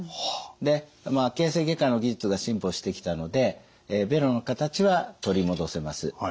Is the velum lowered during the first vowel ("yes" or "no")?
no